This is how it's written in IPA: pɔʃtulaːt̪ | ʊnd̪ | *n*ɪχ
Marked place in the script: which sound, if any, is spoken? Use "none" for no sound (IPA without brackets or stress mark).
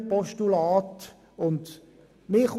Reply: m